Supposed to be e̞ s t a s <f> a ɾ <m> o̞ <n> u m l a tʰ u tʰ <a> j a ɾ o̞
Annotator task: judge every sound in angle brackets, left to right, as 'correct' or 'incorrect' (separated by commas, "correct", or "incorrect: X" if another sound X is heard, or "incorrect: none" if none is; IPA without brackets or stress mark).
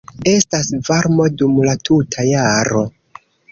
incorrect: v, correct, incorrect: d, correct